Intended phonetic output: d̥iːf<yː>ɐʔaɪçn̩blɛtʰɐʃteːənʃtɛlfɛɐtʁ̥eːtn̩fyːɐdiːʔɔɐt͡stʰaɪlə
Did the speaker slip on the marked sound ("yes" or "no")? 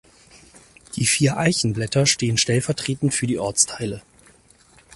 yes